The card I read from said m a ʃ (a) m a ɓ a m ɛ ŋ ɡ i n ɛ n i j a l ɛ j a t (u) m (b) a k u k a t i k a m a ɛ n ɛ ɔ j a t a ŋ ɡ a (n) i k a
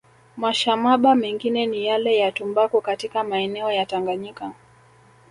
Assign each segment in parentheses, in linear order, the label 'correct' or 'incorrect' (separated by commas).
correct, correct, correct, incorrect